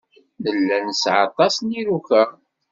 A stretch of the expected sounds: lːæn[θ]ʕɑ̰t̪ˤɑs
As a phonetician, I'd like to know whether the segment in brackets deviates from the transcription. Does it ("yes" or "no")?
yes